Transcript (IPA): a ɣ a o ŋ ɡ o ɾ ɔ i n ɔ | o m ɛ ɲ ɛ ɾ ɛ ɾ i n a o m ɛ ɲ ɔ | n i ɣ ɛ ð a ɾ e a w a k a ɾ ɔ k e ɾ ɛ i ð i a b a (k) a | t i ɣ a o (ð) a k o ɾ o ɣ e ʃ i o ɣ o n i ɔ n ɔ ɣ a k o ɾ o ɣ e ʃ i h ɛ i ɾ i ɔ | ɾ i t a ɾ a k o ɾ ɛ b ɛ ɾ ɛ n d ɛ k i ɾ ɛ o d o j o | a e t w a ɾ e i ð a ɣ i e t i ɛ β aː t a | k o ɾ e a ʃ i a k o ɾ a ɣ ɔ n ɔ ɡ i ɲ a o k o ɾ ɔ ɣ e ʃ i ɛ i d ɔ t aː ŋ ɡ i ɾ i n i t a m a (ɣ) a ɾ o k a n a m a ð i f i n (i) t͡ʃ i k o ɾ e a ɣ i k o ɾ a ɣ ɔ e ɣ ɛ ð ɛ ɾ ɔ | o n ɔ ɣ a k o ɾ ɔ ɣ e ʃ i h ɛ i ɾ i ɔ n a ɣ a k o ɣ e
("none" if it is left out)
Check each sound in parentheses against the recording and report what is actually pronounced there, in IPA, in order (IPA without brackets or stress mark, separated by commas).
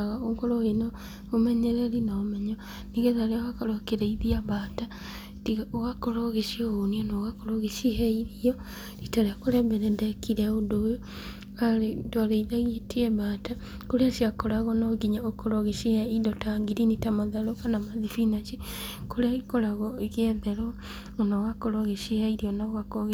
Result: t, ɣ, ð, a